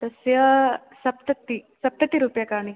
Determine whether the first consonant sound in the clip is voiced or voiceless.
voiceless